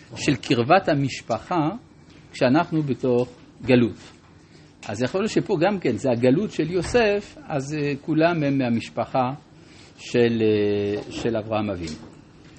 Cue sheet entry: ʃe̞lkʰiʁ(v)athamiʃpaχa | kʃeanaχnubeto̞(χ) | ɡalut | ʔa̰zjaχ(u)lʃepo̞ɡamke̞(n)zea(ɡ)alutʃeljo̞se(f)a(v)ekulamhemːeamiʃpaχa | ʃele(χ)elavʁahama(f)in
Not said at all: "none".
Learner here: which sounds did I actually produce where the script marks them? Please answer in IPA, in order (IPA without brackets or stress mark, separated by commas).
v, χ, o, n, ɡ, f, z, ʃ, v